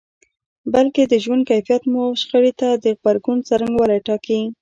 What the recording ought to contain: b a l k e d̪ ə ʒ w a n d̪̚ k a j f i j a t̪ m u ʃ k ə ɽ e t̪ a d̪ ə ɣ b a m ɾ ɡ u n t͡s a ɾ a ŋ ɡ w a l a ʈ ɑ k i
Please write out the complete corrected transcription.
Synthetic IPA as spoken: b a l k e d̪ ə ʒ w a n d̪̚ k a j f i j a t̪ m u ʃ x ə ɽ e t̪ a d̪ ə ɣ b a ɾ ɡ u n t͡s a ɾ a ŋ ɡ w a l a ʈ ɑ k i